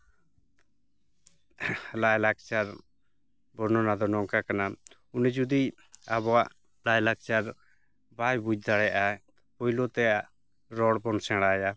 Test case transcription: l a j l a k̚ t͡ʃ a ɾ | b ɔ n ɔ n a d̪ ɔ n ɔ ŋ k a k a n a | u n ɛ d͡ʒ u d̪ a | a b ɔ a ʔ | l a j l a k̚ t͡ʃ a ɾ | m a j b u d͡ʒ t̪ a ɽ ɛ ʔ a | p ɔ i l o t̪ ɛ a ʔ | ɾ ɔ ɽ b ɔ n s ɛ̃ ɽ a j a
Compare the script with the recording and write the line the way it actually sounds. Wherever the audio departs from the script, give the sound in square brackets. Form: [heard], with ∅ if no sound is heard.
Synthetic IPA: l a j l a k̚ t͡ʃ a ɾ | b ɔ n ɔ n a d̪ ɔ n ɔ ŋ k a k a n a | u n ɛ d͡ʒ u d̪ [i] | a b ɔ a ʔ | l a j l a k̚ t͡ʃ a ɾ | [b] a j b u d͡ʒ [d̪] a ɽ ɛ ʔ a | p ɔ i l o t̪ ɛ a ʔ | ɾ ɔ ɽ b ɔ n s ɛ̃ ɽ a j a